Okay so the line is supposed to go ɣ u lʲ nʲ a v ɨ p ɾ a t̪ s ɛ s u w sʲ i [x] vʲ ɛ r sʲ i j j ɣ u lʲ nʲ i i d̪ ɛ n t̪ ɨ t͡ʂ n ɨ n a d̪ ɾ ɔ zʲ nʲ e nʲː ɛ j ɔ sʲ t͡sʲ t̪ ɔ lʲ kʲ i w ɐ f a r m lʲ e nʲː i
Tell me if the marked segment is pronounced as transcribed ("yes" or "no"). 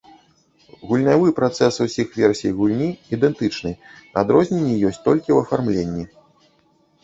yes